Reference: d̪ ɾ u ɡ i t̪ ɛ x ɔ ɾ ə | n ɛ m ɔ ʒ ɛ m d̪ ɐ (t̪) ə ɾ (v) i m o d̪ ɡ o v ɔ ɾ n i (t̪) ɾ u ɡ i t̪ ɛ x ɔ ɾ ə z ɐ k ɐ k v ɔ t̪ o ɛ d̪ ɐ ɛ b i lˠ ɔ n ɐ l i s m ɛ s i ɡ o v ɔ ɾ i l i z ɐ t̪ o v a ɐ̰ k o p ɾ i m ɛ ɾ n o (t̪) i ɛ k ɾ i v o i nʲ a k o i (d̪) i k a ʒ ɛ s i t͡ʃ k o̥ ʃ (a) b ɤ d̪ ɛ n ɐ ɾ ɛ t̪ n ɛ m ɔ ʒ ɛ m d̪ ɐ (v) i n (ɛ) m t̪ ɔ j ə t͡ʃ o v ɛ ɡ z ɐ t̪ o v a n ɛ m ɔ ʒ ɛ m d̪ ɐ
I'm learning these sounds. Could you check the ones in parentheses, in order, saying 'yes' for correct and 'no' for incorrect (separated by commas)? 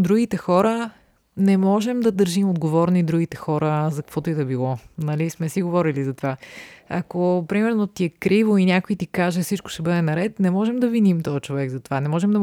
no, no, no, yes, no, no, yes, no